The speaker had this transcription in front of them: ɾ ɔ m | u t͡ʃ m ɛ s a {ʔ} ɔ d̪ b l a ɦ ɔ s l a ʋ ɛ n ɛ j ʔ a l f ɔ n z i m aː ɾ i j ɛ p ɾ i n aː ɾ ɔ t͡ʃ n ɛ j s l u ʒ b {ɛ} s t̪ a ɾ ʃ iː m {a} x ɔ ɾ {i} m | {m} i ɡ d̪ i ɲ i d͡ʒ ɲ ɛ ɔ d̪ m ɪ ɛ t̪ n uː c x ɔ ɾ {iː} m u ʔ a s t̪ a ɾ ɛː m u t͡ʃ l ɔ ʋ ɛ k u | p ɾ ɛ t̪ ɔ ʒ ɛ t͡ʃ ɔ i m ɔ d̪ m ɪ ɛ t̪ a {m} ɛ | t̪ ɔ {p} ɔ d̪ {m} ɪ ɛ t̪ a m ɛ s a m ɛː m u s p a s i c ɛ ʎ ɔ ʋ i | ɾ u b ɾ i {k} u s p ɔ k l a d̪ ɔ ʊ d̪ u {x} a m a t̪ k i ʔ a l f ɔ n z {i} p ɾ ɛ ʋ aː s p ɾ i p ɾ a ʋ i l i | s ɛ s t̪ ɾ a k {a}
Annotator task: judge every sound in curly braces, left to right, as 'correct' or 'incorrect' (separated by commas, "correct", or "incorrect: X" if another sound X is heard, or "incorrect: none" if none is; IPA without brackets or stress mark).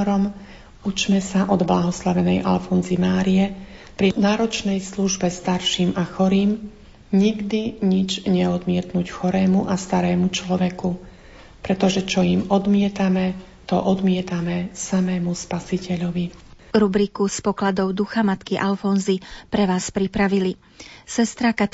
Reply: correct, correct, correct, incorrect: iː, incorrect: ɲ, incorrect: ɛː, correct, incorrect: ʔ, correct, correct, correct, correct, correct